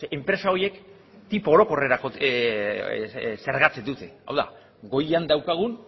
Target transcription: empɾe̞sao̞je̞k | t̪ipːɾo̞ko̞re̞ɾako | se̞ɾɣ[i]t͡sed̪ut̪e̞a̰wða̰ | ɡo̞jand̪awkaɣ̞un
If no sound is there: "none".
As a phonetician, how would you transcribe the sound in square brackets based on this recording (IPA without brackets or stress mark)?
a